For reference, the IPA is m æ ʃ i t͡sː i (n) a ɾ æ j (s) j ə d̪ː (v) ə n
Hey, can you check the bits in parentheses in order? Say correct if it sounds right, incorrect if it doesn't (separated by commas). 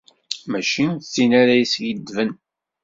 correct, correct, correct